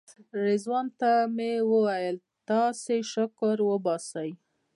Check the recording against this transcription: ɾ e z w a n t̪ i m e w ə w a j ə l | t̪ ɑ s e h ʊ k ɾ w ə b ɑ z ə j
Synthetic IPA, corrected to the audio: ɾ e z w ɑ n t̪ a m e w ə w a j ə l | t̪ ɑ s e ʃ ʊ k ɾ w ə b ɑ s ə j